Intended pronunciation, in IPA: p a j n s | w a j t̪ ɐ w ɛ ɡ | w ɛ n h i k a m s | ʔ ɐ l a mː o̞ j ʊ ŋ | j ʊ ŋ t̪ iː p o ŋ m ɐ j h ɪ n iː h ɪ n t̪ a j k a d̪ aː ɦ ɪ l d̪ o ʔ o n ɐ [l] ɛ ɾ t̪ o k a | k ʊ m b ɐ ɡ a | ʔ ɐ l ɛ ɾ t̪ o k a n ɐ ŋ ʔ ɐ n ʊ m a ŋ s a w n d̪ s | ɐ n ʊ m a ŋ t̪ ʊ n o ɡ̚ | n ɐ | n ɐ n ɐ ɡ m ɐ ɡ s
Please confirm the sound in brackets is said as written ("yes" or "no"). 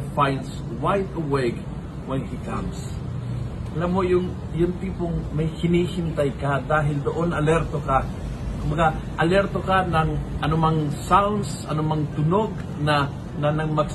yes